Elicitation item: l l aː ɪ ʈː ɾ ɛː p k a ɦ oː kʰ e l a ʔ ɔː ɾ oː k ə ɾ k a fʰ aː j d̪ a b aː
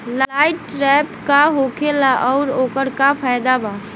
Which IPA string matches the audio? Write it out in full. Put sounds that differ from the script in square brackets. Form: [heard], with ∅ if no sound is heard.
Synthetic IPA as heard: l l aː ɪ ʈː ɾ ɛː p k a ɦ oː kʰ e l a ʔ ɔː ɾ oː k ə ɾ k a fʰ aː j d̪ a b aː